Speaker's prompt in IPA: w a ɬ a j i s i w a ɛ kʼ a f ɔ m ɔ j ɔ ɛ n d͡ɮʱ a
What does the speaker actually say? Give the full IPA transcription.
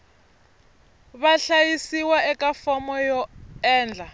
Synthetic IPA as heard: β a ɬ a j i s i w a ɛ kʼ a f ɔ m ɔ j ɔ ɛː n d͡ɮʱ a